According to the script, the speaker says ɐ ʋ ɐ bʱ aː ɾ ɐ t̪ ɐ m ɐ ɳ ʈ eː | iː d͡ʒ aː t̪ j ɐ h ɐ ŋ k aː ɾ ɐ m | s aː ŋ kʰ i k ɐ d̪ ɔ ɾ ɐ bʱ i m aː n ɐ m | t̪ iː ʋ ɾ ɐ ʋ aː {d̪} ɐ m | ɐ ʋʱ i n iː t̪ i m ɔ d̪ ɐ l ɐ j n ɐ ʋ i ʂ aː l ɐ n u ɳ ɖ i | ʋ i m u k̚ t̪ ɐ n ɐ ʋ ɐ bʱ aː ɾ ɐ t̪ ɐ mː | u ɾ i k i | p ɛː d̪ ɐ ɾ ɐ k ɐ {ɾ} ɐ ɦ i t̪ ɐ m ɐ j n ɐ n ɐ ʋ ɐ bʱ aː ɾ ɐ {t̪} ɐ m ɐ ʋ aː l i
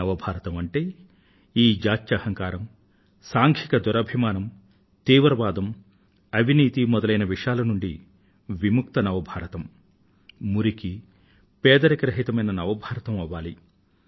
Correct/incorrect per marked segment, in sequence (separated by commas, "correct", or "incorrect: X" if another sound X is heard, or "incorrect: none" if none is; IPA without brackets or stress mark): correct, correct, correct